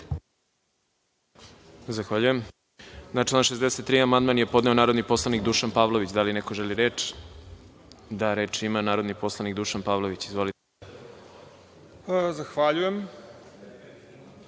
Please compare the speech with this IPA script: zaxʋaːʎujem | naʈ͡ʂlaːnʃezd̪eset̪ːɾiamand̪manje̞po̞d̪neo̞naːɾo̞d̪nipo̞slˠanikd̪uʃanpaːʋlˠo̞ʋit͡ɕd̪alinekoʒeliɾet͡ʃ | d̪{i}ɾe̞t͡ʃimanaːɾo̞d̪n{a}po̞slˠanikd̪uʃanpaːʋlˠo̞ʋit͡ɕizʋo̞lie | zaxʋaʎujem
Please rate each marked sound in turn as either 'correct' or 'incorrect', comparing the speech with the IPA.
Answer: incorrect, incorrect

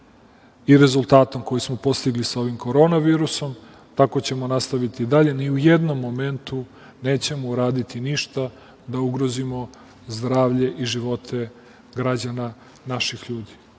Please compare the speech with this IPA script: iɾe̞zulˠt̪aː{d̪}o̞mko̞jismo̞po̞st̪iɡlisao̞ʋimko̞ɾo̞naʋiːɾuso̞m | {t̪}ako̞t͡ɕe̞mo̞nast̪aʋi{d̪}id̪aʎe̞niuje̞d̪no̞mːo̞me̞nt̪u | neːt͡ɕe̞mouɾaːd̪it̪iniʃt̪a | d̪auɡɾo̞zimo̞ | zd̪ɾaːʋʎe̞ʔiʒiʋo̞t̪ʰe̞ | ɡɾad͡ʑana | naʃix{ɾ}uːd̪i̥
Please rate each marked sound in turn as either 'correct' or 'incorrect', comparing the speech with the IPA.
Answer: incorrect, correct, incorrect, incorrect

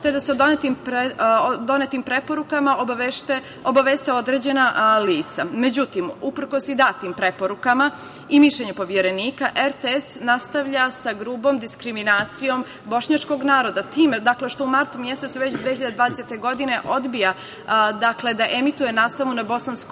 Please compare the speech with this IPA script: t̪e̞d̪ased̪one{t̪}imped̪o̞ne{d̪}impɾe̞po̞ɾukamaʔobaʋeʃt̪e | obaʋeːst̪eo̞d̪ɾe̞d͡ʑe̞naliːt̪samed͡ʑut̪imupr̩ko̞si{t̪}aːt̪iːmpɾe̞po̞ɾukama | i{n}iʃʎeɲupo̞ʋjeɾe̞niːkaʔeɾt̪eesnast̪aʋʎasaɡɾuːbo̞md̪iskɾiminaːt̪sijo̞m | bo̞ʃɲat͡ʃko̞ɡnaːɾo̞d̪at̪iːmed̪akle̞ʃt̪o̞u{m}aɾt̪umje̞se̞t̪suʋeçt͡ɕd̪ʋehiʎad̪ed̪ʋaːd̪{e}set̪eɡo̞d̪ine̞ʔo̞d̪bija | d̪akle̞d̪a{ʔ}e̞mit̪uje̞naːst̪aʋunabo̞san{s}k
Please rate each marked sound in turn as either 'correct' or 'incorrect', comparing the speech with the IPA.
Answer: correct, incorrect, incorrect, incorrect, correct, correct, correct, correct

